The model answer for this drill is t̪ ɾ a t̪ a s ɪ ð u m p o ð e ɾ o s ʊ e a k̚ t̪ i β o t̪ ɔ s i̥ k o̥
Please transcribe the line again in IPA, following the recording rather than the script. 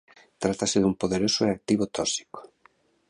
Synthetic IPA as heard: t̪ ɾ a t̪ a s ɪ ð u m p o ð e ɾ o s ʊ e a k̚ t̪ i β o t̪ ɔ s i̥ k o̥